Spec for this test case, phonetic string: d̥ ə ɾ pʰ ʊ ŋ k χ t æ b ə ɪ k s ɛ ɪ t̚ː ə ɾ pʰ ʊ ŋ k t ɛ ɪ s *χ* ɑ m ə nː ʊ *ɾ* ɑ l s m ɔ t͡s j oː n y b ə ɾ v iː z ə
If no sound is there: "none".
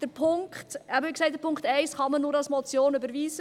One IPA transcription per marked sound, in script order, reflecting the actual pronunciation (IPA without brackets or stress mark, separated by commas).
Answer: χ, ɾ